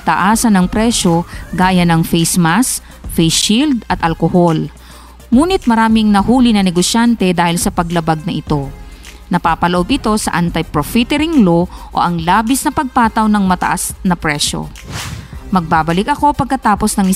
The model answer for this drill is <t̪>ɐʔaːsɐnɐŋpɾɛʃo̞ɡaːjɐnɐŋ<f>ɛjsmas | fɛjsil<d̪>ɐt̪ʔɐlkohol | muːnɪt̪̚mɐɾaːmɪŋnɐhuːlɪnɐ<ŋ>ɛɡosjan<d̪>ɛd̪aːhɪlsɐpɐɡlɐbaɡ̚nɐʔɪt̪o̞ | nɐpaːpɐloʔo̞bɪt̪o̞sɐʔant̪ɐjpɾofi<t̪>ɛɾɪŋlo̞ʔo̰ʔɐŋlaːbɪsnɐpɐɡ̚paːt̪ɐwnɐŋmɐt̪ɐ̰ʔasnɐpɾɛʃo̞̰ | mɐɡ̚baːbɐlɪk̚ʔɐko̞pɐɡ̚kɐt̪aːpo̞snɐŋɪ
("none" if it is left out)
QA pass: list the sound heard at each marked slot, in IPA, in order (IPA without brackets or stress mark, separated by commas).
t̪, f, d̪, n, t̪, t̪